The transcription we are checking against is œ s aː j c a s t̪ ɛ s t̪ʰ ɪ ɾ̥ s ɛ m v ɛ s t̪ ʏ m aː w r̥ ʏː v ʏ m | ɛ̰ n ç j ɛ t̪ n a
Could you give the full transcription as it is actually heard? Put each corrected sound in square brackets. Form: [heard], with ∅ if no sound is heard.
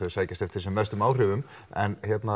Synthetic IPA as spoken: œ s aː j c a s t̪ ɛ [f] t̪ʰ ɪ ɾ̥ s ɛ m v ɛ s t̪ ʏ m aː w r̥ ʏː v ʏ m | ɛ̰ n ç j ɛ t̪ n a

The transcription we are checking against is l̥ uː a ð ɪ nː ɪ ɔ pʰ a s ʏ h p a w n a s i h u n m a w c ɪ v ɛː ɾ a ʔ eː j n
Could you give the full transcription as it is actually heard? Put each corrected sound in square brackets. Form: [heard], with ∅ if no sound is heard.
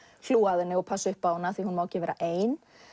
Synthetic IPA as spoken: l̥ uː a ð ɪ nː ɪ ɔ pʰ a s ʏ h p a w n a [θ] i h u n m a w c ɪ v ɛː ɾ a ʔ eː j n

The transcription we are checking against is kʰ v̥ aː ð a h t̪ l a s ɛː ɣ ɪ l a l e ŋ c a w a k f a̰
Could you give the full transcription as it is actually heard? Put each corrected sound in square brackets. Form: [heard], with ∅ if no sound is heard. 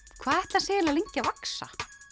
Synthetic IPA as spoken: kʰ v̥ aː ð [ɛ] h t̪ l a s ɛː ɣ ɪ l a l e [ɲ] c a [v] a k [s] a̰

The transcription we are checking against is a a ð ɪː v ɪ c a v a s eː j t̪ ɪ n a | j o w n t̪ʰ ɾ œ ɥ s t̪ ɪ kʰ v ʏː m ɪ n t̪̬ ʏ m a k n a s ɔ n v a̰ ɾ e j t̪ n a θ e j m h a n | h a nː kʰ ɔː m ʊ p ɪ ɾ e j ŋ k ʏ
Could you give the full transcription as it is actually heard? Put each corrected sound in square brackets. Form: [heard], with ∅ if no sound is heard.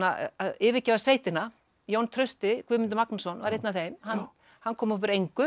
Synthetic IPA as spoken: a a ð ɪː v ɪ c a v a s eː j t̪ ɪ n a | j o w n t̪ʰ ɾ œ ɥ s t̪ ɪ kʰ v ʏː m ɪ n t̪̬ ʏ m a k n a s ɔ n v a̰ ɾ e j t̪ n a θ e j m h a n | h a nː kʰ ɔː m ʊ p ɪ ɾ e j ŋ k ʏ

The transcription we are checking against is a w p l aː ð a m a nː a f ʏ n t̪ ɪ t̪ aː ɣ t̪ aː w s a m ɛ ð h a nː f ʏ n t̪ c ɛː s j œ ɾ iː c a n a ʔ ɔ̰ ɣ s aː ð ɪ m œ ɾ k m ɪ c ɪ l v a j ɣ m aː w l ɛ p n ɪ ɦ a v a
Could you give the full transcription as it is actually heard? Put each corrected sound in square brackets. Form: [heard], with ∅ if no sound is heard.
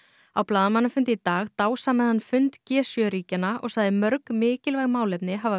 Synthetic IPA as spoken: a w p l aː ð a m a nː a f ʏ n t̪ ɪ t̪ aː ɣ t̪ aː w s a m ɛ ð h a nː f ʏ n t̪ c ɛː s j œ ɾ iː c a n a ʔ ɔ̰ ɣ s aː ð ɪ m œ ɾ k m [ɪː] c ɪ l v a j ɣ m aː w l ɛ p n ɪ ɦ a v a

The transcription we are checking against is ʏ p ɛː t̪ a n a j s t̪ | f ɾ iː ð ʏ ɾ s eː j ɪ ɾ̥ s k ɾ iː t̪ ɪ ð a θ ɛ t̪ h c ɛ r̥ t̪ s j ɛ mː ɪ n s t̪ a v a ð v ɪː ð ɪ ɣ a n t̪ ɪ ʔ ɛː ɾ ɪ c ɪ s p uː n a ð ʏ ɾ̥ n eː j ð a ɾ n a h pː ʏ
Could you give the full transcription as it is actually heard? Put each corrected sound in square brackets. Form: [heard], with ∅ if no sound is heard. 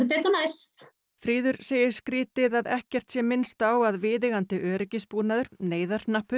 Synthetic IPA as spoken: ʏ p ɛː t̪ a n a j s t̪ | f ɾ iː ð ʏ ɾ s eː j ɪ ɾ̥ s k ɾ iː t̪ ɪ ð a [ð] ɛ [∅] h c ɛ r̥ t̪ s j ɛ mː ɪ n s t̪ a [w] a ð v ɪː ð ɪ ɣ a n t̪ ɪ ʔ [œː] ɾ ɪ c ɪ s p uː n a ð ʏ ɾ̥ n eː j ð a ɾ n a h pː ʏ

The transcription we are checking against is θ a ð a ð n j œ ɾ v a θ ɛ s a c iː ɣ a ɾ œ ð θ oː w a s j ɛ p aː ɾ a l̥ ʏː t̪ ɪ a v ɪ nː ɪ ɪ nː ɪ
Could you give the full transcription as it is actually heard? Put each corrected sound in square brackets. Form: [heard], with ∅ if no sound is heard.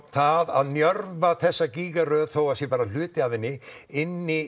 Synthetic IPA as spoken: θ a ð a ð n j œ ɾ v a θ ɛ [sː] a c iː ɣ a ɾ œ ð θ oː w a s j ɛ p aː ɾ a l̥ ʏː t̪ ɪ a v ɪ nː ɪ ɪ nː ɪ

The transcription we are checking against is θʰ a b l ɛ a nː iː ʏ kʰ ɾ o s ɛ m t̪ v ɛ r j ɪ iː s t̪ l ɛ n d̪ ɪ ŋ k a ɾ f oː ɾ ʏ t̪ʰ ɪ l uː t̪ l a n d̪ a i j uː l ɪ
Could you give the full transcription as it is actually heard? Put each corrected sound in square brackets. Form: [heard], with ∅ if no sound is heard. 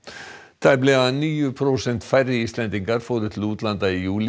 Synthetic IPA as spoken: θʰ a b l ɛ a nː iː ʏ [pʰ] ɾ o s ɛ [n] t̪ [f] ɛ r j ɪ iː s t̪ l ɛ n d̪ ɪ ŋ k a ɾ f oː ɾ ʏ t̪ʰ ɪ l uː t̪ l a n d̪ a i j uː l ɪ

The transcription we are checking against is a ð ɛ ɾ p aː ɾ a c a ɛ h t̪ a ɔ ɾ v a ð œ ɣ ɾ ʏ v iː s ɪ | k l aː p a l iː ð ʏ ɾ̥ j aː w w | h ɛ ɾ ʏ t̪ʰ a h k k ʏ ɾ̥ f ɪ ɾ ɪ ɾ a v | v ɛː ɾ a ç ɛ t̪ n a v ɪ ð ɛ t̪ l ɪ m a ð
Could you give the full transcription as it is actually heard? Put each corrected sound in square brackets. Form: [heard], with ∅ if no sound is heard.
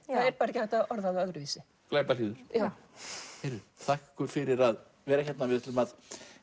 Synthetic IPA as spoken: a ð ɛ ɾ p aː ɾ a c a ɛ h t̪ a ɔ ɾ [ð] a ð œ ɣ ɾ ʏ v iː s ɪ | k l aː p a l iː ð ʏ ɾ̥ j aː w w | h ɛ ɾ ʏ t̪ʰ a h k k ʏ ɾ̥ f ɪ ɾ ɪ ɾ a [ð] | v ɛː ɾ a ç ɛ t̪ n a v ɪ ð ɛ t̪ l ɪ m a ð

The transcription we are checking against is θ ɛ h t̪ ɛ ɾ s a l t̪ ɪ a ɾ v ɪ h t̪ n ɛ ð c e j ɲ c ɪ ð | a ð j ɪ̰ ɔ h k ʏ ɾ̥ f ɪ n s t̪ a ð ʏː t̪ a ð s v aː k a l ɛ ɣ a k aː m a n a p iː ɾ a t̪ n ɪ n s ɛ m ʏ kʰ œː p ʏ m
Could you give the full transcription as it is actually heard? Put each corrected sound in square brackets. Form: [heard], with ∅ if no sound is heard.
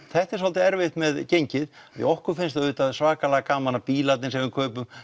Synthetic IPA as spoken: θ ɛ h t̪ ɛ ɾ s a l t̪ ɪ [ɛ] ɾ v ɪ h t̪ [m] ɛ ð c e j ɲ c ɪ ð | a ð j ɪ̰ ɔ h k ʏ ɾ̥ f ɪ n s t̪ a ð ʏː t̪ a ð s v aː k a l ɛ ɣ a k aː m a n a p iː [l] a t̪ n ɪ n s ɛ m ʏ kʰ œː p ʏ m

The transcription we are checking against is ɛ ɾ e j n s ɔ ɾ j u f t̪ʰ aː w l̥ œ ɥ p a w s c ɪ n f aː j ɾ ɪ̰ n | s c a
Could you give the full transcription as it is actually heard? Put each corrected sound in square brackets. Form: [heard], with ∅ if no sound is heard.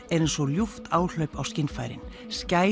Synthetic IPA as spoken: ɛ ɾ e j n s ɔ [l] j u f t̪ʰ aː w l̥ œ ɥ p a w s c ɪ n f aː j ɾ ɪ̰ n | s c a

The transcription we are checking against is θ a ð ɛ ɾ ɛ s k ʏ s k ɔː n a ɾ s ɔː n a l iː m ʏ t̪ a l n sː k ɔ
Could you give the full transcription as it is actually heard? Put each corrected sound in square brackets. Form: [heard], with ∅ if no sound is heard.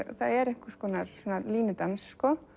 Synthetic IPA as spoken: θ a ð ɛ ɾ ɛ [h] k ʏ s k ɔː n a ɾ s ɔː n a l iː [n] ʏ t̪ a [∅] n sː k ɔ

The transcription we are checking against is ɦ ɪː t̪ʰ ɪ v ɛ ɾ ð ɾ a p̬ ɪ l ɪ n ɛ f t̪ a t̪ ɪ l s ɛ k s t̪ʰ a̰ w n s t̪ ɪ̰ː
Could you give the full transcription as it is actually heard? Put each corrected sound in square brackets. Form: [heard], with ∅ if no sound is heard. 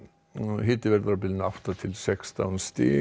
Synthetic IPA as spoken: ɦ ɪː [t̪] ɪ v ɛ ɾ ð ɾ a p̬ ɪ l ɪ n [a] f t̪ a [t̪ʰ] ɪ l s ɛ k s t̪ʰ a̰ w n s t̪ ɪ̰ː

